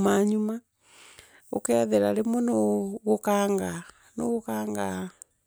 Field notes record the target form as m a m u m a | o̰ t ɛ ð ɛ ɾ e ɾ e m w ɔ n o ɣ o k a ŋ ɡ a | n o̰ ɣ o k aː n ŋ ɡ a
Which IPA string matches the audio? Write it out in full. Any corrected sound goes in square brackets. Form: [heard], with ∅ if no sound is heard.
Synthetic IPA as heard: m a [ɲ] u m a | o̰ [k] ɛ ð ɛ ɾ [a] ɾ e m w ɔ n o ɣ o k a ŋ ɡ a | n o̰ ɣ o k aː [∅] ŋ ɡ a